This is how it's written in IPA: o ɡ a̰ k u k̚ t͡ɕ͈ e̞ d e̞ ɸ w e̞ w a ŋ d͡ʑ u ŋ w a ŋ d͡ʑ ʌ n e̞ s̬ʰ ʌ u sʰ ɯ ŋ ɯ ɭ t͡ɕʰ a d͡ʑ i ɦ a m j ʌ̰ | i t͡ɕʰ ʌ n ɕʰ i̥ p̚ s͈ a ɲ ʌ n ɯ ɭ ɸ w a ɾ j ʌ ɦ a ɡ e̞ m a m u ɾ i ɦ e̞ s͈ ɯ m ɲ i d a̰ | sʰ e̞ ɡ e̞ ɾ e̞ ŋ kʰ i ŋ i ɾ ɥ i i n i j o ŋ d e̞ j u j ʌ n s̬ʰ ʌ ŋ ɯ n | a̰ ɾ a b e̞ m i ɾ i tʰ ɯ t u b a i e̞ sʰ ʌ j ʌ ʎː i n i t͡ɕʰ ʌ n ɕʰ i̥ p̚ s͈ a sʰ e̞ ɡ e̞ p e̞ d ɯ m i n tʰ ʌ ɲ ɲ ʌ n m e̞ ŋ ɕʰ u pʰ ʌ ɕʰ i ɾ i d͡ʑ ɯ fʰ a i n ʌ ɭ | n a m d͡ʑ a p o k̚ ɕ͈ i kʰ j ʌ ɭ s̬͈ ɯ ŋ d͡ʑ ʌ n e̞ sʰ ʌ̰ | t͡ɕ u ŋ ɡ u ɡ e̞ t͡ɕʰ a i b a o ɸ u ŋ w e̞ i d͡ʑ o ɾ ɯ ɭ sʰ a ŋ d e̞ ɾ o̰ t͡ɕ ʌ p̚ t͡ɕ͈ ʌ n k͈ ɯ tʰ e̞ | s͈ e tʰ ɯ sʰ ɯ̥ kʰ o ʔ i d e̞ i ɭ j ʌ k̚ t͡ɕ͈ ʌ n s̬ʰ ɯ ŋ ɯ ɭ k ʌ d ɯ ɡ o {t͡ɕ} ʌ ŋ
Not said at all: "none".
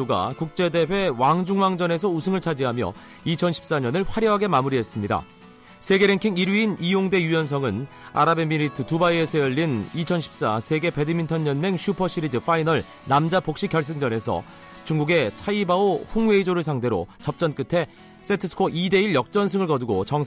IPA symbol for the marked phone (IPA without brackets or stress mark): t͡ɕ